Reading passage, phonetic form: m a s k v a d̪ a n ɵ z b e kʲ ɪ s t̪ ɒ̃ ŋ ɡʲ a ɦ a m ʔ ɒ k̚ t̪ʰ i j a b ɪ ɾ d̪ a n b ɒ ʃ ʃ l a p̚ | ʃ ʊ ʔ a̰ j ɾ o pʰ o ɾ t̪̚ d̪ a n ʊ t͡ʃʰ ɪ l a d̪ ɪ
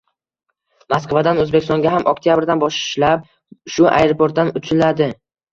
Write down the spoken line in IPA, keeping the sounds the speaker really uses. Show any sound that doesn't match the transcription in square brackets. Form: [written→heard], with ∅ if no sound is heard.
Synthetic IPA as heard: m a s k v a d̪ a n ɵ z b e kʲ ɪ s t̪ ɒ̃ ŋ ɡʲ a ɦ a m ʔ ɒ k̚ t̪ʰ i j a b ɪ ɾ d̪ a n b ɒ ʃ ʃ l a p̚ | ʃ ʊ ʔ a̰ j ɾ o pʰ o ɾ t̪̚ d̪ a n ʊ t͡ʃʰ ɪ l a d̪ ɪ